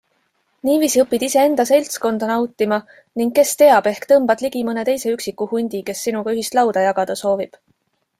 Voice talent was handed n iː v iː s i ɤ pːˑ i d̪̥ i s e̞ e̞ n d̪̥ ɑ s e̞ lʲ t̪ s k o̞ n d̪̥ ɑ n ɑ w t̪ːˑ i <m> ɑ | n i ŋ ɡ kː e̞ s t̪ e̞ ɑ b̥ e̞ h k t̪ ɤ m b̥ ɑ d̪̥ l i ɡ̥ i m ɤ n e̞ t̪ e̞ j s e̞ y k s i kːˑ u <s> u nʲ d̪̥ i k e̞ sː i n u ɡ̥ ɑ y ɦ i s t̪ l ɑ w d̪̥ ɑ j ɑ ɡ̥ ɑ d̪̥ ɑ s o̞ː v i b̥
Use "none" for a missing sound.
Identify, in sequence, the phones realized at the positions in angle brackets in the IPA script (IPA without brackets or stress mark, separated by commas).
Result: m, h